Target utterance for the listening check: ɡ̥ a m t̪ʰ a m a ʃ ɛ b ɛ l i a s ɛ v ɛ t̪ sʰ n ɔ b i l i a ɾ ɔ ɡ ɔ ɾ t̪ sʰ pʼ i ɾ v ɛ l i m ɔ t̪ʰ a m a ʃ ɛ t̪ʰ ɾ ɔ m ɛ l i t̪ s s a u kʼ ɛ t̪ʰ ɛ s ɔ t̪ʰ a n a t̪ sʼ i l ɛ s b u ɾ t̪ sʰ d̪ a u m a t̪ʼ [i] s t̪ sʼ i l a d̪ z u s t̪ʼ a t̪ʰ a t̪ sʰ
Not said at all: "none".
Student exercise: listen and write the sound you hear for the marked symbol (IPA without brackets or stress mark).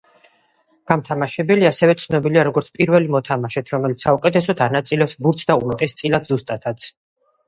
ɛ